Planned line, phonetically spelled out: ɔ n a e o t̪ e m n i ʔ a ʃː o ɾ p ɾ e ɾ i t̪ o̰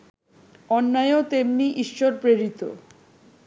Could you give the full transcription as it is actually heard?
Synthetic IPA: ɔ nː a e o t̪ e m n i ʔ i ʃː o ɾ p ɾ e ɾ i t̪ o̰